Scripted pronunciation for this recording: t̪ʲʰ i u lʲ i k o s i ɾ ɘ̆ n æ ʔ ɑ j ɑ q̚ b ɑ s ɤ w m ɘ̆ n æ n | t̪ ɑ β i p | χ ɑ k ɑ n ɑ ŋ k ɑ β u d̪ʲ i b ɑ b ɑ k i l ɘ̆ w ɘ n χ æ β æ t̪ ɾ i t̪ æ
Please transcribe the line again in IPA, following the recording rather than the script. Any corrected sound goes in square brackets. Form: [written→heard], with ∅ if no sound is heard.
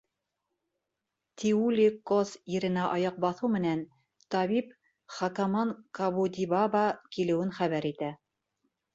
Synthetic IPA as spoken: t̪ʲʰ i u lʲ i k o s i ɾ ɘ̆ n æ ʔ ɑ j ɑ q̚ b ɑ [s→θ] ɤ w m ɘ̆ n æ n | t̪ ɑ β i p | χ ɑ k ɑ [n→m] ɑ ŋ k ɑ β u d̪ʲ i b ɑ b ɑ k i l ɘ̆ w ɘ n χ æ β æ [t̪→∅] ɾ i t̪ æ